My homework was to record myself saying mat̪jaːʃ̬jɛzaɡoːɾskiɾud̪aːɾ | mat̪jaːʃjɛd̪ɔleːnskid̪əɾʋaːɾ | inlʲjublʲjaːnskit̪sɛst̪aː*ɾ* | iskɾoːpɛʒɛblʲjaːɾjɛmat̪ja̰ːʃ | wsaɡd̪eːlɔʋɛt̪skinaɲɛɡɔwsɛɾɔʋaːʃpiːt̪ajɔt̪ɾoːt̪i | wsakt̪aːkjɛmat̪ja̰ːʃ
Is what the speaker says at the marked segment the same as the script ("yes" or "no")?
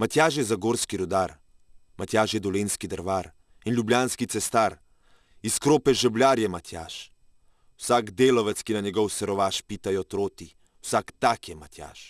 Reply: yes